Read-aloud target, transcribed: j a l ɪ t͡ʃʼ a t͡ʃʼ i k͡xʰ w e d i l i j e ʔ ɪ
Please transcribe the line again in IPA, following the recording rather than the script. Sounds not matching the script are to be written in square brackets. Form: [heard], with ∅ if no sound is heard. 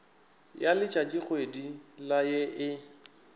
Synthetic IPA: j a l ɪ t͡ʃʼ a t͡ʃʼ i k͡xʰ w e d i l [a] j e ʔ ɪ

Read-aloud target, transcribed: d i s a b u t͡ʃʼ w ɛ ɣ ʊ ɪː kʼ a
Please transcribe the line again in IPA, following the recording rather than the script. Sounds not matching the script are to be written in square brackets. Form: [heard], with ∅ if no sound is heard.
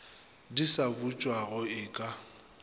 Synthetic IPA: d i s a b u t͡ʃʼ w [a] ɣ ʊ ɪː kʼ a

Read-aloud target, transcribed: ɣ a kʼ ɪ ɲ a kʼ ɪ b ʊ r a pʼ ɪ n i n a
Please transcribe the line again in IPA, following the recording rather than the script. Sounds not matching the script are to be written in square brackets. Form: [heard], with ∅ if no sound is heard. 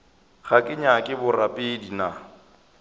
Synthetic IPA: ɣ a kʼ ɪ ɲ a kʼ ɪ b ʊ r a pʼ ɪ [d] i n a

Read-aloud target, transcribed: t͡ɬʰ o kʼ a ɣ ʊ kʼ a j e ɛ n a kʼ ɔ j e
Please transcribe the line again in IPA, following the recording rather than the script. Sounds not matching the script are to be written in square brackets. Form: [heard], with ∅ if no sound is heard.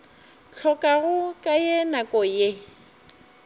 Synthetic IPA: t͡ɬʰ [ɔ] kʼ a ɣ ʊ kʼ a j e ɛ n a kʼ ɔ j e

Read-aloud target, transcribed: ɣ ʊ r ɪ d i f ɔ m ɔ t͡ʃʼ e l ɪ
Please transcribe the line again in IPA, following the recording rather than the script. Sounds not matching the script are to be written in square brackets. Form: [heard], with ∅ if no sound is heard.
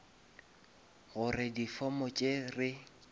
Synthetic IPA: ɣ ʊ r ɪ d i f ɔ m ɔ t͡ʃʼ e [r] ɪ

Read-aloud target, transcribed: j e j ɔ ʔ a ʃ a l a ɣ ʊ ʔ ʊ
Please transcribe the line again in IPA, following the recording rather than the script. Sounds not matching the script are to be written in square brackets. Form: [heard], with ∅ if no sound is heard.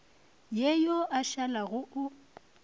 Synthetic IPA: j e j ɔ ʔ a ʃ a l a ɣ ʊ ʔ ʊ

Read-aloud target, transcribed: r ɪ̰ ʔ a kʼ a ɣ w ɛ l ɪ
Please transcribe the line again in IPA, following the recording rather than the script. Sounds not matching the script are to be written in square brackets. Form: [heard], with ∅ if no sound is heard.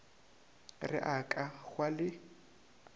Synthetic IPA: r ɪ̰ ʔ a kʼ a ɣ w [a] l ɪ

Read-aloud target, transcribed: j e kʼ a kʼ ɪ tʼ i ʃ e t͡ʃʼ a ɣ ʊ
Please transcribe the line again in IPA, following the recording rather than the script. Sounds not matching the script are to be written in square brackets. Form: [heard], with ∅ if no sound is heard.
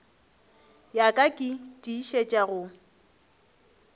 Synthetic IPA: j [a] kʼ a kʼ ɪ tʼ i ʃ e t͡ʃʼ a ɣ ʊ

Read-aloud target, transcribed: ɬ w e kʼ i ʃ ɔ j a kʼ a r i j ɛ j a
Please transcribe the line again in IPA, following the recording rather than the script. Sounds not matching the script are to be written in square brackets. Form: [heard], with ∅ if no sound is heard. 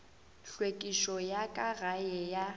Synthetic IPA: ɬ w e kʼ i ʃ ɔ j a kʼ a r [a] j ɛ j a

